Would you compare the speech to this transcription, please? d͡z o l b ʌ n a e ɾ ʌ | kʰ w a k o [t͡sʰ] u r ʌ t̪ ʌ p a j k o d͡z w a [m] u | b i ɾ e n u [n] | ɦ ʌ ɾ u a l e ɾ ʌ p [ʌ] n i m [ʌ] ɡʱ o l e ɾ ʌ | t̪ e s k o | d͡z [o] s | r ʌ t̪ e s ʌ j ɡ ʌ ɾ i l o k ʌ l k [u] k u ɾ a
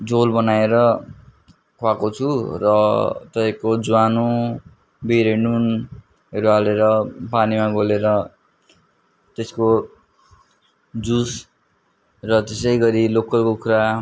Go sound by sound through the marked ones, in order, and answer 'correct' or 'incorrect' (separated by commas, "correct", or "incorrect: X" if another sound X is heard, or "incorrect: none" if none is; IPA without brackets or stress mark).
correct, incorrect: n, correct, incorrect: a, incorrect: a, incorrect: u, incorrect: o